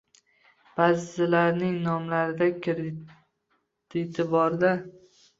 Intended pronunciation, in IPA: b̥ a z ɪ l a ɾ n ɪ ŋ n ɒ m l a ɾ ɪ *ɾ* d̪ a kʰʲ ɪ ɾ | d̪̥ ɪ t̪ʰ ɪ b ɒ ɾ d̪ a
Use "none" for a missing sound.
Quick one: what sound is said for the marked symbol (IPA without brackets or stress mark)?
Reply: none